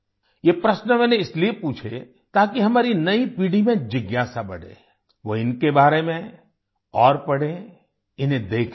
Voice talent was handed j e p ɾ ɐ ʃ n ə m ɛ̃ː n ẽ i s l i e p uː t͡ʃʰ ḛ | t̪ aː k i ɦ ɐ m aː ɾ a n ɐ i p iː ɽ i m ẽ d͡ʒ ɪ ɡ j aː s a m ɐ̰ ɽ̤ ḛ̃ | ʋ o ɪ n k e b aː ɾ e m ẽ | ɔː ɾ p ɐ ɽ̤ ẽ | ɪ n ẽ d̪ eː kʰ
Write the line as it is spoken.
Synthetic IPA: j e p ɾ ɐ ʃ n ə m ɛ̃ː n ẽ ɪ s l i e p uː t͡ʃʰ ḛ | t̪ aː k i ɦ ɐ m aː ɾ i n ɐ i p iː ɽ i m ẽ d͡ʒ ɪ ɡ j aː s a b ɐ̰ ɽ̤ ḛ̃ | ʋ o ɪ n k e b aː ɾ e m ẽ | ɔː ɾ p ɐ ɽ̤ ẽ | ɪ n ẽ d̪ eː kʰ

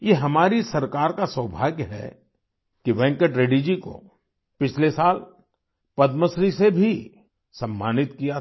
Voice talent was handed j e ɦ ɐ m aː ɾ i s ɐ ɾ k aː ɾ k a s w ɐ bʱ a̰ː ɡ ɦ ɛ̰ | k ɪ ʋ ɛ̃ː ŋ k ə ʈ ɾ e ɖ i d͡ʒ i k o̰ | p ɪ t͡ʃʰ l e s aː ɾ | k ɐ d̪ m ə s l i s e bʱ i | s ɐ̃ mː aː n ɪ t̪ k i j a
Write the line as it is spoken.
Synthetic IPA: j e ɦ ɐ m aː ɾ i s ɐ ɾ k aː ɾ k a s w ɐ bʱ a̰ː ɡ ɦ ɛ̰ | k i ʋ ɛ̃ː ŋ k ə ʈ ɾ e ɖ i d͡ʒ i k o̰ | p ɪ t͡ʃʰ l e s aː l | p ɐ d̪ m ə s ɾ i s e bʱ i | s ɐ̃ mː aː n ɪ t̪ k i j a

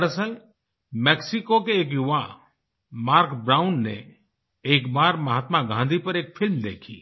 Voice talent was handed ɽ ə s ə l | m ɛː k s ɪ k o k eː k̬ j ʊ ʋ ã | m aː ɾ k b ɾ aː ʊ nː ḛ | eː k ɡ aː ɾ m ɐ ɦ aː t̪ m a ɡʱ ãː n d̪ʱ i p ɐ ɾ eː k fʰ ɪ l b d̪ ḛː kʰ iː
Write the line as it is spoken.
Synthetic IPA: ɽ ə s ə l | m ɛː k s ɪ k o k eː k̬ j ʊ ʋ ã | m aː ɾ k b ɾ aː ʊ nː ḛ | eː k b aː ɾ m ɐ ɦ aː t̪ m a ɡʱ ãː n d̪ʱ i p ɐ ɾ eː k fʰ ɪ l m d̪ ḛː kʰ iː

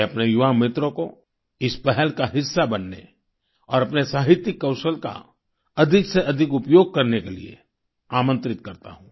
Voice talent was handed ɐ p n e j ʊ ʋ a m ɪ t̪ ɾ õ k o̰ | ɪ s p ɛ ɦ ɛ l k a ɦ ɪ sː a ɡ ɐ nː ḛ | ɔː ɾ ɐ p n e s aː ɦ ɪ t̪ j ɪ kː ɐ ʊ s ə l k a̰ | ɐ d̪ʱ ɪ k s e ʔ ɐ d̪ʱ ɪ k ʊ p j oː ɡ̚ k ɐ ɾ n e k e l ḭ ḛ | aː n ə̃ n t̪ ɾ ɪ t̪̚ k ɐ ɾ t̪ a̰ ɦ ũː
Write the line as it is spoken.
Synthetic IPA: ɐ p n e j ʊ ʋ a m ɪ t̪ ɾ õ k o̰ | ɪ s p ɛ ɦ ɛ l k a ɦ ɪ sː a b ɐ nː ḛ | ɔː ɾ ɐ p n e s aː ɦ ɪ t̪ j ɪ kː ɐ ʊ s ə l k a̰ | ɐ d̪ʱ ɪ k s e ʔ ɐ d̪ʱ ɪ k ʊ p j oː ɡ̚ k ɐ ɾ n e k e l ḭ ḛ | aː m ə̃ n t̪ ɾ ɪ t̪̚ k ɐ ɾ t̪ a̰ ɦ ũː

